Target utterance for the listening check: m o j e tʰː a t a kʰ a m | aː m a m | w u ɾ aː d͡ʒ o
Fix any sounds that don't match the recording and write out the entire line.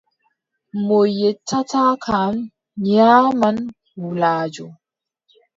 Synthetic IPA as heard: m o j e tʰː a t a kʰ a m | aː m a n | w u l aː d͡ʒ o